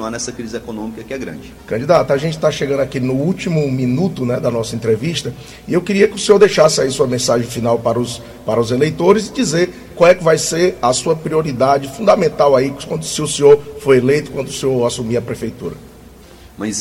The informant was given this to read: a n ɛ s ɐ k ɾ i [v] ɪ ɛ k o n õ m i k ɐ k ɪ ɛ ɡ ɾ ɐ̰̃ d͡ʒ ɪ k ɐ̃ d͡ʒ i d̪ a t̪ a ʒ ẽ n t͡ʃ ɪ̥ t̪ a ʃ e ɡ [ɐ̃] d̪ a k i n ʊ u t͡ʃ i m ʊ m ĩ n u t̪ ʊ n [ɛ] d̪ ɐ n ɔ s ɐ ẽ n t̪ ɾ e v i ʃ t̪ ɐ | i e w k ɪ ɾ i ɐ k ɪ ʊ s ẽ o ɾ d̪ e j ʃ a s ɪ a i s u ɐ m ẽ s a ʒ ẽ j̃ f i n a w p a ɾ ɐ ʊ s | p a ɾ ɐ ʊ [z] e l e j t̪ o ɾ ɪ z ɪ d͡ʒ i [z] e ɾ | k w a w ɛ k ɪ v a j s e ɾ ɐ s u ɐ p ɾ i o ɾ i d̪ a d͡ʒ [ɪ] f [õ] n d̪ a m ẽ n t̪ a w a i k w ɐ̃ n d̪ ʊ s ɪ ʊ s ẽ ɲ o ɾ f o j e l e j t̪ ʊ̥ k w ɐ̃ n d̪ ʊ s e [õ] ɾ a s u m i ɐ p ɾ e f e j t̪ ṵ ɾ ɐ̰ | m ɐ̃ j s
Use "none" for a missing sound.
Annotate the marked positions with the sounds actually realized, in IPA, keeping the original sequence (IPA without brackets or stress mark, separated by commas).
z, ɐ̃, ɛ, z, z, ɪ, ũ, o